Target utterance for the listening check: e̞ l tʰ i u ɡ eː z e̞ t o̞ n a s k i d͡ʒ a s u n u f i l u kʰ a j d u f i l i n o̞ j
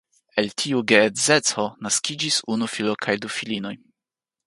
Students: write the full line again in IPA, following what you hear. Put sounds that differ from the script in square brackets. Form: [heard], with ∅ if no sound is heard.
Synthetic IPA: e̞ l tʰ i u ɡ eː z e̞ [t͡s] o̞ n a s k i d͡ʒ [i] s u n u f i l [o] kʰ a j d u f i l i n o̞ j

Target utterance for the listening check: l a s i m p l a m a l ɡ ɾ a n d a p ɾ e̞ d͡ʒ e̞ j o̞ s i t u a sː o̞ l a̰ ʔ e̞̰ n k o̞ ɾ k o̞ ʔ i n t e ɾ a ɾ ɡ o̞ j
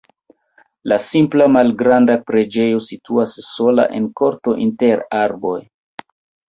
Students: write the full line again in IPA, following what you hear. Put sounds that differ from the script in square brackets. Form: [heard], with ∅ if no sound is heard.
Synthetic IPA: l a s i m p l a m a l ɡ ɾ a n d a p ɾ e̞ d͡ʒ e̞ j o̞ s i t u a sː o̞ l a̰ ʔ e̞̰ n k o̞ ɾ [t] o̞ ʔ i n t e ɾ a ɾ [b] o̞ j

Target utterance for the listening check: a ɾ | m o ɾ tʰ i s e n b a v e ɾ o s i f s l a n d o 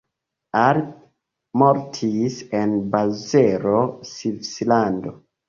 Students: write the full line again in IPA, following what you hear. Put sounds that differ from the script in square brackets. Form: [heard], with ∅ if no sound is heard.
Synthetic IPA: a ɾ | m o ɾ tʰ i s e n b a [z] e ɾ o s i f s l a n d o

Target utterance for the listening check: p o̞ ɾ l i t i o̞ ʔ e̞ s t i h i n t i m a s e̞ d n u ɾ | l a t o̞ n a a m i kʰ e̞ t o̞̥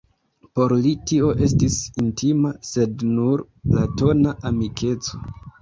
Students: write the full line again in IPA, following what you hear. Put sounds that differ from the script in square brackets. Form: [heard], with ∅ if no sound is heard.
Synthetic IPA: p o̞ ɾ l i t i o̞ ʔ e̞ s t i [s] i n t i m a s e̞ d n u ɾ | l a t o̞ n a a m i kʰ e̞ [t͡s] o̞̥

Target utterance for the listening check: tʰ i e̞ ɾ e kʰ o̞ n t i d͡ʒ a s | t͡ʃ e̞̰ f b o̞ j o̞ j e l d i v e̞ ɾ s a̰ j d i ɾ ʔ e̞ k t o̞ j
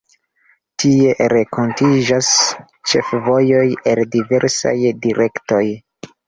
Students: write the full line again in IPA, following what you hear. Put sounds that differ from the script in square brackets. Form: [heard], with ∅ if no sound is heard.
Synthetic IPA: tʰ i e̞ ɾ e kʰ o̞ n t i d͡ʒ a s | t͡ʃ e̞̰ f [v] o̞ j o̞ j e l d i v e̞ ɾ s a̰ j d i ɾ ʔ e̞ k t o̞ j

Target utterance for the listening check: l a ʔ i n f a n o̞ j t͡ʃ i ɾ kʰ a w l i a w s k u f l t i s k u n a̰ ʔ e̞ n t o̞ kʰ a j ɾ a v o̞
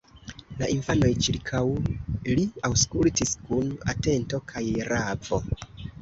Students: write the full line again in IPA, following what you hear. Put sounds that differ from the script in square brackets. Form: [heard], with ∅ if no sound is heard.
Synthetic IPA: l a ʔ i n f a n o̞ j t͡ʃ i ɾ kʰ a w l i a w s k u [∅] l t i s k u n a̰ [t] e̞ n t o̞ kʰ a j ɾ a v o̞

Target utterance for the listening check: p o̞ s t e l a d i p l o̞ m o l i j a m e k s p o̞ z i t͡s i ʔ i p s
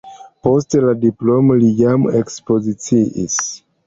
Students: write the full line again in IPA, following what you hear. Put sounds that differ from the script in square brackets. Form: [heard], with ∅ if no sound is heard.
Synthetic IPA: p o̞ s t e l a d i p l o̞ m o l i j a m e k s p o̞ z i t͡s i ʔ i [∅] s

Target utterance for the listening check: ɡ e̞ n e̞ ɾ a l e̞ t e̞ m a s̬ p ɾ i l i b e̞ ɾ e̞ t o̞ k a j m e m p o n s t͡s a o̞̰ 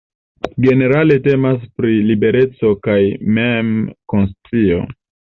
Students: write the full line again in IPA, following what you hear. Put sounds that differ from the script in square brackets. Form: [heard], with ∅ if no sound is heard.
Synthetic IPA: ɡ e̞ n e̞ ɾ a l e̞ t e̞ m a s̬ p ɾ i l i b e̞ ɾ e̞ [t͡s] o̞ k a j m e m [k] o n s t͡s [i] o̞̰

